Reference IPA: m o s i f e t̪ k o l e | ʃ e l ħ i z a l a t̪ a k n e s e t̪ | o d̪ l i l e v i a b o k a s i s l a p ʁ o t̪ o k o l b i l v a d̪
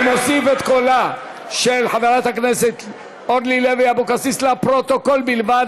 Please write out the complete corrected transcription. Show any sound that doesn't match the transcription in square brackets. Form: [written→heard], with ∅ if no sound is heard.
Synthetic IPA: m o s i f e t̪ k o l [e→a] | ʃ e l ħ [i→a] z a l a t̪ a k n e s e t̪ | o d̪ l i l e v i a b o k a s i s l a p ʁ o t̪ o k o l b i l v a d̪